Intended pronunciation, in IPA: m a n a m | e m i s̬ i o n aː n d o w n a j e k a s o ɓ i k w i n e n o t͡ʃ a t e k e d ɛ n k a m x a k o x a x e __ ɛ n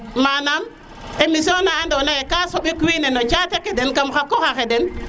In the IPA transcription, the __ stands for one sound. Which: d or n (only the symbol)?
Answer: d